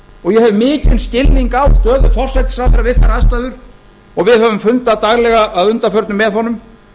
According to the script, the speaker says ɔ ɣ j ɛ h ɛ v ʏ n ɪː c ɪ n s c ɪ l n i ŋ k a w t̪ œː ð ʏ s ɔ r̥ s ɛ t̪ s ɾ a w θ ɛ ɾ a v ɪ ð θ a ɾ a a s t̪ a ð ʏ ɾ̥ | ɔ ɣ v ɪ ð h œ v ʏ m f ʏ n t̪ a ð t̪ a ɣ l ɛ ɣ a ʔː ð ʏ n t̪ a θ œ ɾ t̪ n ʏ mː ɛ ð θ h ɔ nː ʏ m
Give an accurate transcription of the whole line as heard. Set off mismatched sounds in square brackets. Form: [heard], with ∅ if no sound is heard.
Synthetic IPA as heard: ɔ ɣ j ɛ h ɛ v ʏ [m] ɪː c ɪ n s c ɪ l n i ŋ k a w t̪ œː ð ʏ [f] ɔ r̥ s ɛ t̪ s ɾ a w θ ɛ ɾ a v ɪ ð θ a ɾ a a s t̪ a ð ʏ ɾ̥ | ɔ ɣ v ɪ ð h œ v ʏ m f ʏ n t̪ a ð t̪ a ɣ l ɛ ɣ a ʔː ð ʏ n t̪ a [f] œ ɾ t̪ n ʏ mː ɛ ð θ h ɔ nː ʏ m